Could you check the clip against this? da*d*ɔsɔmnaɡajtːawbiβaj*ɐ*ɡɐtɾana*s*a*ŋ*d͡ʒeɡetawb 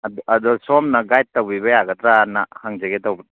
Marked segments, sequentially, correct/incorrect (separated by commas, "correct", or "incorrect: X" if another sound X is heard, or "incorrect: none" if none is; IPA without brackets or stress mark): correct, incorrect: a, incorrect: h, correct